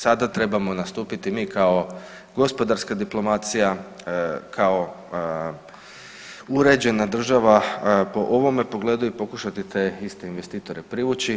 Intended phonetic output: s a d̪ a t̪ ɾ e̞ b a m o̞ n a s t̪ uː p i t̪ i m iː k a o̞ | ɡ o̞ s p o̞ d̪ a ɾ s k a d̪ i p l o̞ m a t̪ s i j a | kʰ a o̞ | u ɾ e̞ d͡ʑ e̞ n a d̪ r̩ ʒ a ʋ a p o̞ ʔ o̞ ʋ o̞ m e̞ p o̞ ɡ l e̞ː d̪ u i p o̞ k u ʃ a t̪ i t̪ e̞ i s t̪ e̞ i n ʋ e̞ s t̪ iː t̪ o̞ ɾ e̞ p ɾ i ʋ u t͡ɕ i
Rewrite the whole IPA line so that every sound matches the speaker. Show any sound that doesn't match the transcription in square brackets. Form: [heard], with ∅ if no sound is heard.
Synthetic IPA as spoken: s a d̪ a t̪ ɾ e̞ b a m o̞ n a s t̪ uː p i t̪ i m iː k a o̞ | ɡ o̞ s p o̞ d̪ a ɾ s k a d̪ i p l o̞ m a t̪ s i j a | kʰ a o̞ | u ɾ e̞ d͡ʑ e̞ n a d̪ r̩ ʒ a ʋ a p o̞ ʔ o̞ ʋ o̞ m e̞ p o̞ ɡ l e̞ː d̪ u i p o̞ k u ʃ a t̪ i t̪ e̞ i s t̪ e̞ i n ʋ e̞ s t̪ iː t̪ o̞ ɾ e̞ p ɾ i ʋ u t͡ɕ i